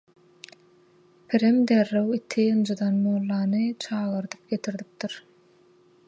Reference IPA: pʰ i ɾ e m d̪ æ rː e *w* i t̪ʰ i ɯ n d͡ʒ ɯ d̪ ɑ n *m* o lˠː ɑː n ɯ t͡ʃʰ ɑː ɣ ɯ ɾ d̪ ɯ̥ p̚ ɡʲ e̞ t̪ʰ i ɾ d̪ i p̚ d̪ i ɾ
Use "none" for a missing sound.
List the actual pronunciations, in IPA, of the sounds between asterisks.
w, m

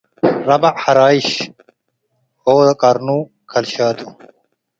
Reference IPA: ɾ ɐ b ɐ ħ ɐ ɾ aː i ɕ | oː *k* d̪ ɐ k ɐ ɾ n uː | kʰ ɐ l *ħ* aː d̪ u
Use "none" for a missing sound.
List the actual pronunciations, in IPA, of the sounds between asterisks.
none, ɕ

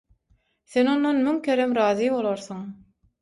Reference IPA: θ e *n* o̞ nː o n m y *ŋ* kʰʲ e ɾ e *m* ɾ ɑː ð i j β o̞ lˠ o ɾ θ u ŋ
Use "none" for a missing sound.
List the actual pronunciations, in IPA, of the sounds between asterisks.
n, ŋ, m

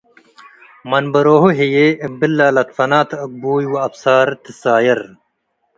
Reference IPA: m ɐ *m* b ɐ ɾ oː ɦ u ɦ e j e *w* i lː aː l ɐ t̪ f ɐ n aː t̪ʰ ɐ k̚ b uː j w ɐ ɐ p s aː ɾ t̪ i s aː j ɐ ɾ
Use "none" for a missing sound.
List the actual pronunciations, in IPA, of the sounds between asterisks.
n, b

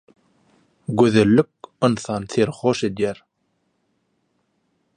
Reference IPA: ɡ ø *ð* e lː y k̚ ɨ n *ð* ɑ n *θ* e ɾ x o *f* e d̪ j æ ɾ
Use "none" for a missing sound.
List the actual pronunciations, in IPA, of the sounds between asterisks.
ð, θ, θ, ʃ

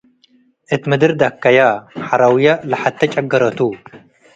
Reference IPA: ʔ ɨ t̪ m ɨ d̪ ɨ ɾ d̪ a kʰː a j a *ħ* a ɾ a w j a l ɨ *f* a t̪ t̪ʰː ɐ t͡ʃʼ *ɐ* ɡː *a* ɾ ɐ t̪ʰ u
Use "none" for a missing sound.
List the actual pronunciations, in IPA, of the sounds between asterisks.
ħ, ħ, ɐ, ɐ

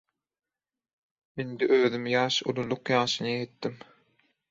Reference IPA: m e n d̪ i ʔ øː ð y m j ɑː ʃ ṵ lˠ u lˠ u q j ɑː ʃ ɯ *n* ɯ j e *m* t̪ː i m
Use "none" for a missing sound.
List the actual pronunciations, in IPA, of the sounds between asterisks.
n, none

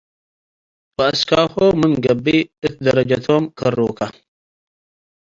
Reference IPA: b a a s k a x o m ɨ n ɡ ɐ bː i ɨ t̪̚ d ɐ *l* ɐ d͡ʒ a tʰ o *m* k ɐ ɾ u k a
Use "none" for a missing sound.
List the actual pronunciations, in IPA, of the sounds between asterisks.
ɾ, m

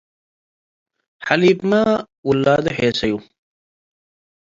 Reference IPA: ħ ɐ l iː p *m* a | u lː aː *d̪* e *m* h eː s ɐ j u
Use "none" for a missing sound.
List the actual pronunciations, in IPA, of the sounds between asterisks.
m, d̪, none

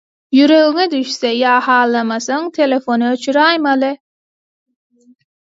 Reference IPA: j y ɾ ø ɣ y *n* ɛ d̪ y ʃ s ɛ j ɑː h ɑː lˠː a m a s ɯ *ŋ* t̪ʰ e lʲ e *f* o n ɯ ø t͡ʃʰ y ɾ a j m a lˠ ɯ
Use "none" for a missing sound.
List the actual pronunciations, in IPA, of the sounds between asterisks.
ŋ, ŋ, f

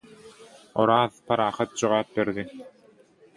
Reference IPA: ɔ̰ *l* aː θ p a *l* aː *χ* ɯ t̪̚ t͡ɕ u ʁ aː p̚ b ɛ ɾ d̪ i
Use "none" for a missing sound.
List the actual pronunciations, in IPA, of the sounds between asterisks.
ɾ, ɾ, χ

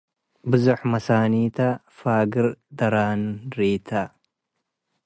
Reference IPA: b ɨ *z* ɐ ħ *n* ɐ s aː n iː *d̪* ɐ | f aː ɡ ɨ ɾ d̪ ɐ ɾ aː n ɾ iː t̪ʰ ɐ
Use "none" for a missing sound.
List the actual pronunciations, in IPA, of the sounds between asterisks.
z, m, t̪

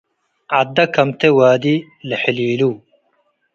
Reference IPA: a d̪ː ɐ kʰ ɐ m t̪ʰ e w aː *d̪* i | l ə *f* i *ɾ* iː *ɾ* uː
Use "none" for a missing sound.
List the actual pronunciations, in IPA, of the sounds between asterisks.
d̪, ħ, l, l

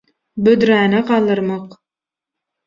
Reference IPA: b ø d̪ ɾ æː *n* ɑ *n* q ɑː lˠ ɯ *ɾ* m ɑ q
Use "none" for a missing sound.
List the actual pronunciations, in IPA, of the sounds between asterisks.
n, none, ɾ

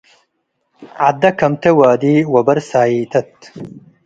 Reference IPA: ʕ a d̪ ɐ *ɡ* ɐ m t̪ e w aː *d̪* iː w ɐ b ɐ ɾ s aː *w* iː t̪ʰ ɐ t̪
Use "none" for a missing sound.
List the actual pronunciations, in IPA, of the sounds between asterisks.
k, d̪, none

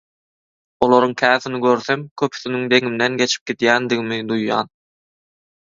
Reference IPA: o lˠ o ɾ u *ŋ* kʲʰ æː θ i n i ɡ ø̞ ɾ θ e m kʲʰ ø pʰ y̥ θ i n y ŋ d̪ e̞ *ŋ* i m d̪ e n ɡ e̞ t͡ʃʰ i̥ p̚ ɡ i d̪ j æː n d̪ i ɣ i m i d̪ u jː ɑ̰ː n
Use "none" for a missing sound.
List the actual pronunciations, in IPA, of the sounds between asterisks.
ŋ, ŋ

